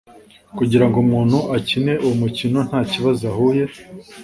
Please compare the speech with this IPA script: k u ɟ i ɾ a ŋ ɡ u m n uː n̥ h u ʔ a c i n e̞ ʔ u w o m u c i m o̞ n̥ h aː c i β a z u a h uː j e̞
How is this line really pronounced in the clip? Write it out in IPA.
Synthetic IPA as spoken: k u ɟ i ɾ a ŋ ɡ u m ŋ uː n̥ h u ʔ a c i n e̞ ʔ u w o m u c i n o̞ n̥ h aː c i β a z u a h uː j e̞